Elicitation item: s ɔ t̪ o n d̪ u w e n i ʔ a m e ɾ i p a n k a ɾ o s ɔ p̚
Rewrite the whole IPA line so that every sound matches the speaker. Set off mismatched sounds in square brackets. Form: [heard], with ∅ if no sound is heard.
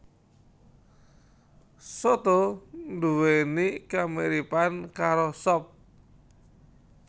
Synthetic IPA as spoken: s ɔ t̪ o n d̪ u w e n i [k] a m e ɾ i p a n k a ɾ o s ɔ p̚